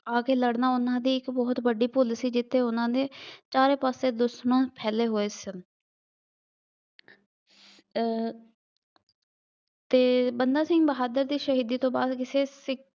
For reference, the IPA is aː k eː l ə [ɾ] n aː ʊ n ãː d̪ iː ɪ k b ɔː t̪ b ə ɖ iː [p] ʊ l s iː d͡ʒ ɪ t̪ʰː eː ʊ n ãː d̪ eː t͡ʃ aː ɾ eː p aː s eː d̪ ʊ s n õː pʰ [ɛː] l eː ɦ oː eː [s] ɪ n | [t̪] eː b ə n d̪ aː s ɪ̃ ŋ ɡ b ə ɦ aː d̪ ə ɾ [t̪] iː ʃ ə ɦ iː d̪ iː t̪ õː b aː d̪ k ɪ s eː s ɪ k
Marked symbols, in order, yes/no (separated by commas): no, yes, yes, yes, yes, no